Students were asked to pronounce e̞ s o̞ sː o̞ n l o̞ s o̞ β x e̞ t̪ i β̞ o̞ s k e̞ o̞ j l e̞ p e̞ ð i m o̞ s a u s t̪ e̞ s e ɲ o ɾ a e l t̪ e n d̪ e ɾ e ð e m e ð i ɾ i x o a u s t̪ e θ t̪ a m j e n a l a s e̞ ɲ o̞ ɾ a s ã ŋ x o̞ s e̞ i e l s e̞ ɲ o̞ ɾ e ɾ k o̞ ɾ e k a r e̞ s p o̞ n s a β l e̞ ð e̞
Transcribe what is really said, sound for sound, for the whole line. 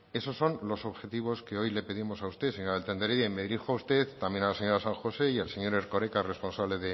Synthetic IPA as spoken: e̞ s o̞ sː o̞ n l o̞ s o̞ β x e̞ t̪ i β̞ o̞ s k e̞ o̞ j l e̞ p e̞ ð i m o̞ s a u s t̪ e̞ s e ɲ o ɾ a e l t̪ e n d̪ e ɾ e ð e m e ð i ɾ i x o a u s t̪ e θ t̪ a m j e n a l a s e̞ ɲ o̞ ɾ a s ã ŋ x o̞ s e̞ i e l s e̞ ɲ o̞ ɾ e ɾ k o̞ ɾ e k a r e̞ s p o̞ n s a β l e̞ ð e̞